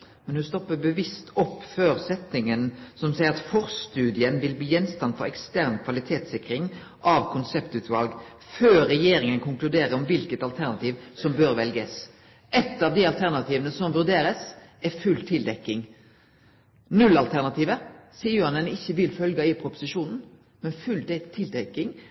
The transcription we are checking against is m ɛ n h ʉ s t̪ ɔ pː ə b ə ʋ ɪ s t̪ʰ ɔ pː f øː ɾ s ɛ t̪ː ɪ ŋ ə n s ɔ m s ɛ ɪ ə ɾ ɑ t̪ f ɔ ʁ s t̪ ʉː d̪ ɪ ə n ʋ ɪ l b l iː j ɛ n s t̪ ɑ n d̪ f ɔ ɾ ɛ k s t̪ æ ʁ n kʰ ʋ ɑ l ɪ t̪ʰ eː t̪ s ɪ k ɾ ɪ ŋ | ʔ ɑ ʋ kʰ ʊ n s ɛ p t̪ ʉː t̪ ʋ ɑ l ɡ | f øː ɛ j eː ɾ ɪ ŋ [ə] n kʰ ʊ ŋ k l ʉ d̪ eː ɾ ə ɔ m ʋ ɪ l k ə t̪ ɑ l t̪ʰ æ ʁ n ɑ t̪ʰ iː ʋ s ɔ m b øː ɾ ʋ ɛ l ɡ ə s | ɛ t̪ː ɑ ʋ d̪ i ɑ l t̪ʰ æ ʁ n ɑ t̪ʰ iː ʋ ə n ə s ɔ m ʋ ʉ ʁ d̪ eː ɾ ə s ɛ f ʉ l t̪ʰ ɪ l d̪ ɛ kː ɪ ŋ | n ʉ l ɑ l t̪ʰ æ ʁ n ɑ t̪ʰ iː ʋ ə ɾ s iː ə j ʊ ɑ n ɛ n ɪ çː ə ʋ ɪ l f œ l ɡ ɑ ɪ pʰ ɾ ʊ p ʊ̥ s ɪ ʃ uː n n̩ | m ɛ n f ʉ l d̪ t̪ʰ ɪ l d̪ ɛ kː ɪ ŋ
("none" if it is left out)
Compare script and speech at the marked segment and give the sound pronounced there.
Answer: ə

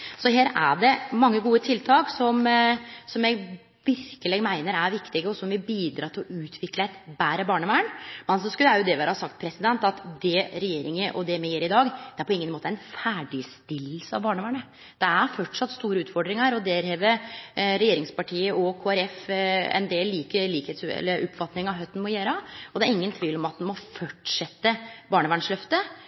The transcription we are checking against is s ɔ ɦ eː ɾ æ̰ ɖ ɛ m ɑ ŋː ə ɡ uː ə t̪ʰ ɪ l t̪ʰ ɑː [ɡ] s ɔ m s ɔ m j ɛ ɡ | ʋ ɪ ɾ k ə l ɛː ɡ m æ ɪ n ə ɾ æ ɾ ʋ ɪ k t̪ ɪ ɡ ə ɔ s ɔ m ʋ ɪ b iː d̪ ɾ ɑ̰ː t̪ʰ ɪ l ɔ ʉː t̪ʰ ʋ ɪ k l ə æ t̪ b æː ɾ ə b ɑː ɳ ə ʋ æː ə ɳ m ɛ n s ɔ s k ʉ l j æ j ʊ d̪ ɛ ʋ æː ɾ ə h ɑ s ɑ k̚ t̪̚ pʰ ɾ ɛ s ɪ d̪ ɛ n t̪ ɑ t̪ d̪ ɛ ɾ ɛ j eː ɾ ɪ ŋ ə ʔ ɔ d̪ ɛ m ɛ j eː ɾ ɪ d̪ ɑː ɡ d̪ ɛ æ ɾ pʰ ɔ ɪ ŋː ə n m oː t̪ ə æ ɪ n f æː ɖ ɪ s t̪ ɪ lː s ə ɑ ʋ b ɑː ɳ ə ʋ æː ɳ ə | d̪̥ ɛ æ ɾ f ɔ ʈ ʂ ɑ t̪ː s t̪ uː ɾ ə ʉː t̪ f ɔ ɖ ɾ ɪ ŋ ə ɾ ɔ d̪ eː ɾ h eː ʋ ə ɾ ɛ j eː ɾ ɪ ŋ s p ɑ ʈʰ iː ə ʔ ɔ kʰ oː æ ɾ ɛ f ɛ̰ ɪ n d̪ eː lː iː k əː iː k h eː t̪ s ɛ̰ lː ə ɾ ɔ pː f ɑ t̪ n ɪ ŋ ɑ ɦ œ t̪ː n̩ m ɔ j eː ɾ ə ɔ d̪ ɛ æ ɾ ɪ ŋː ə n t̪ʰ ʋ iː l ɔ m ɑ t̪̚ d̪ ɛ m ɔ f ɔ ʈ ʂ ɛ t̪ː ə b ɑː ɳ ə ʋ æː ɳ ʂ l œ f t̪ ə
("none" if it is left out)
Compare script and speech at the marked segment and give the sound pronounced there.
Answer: k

